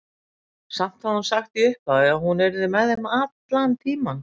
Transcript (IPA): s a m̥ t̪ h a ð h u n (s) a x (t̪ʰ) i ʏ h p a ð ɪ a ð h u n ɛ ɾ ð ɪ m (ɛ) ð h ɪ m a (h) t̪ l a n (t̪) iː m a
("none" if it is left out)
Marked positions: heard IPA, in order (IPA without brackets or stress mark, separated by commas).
s, t̪, ɛ, none, t̪ʰ